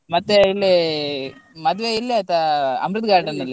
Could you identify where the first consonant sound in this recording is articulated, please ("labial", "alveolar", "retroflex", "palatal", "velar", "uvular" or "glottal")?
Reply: labial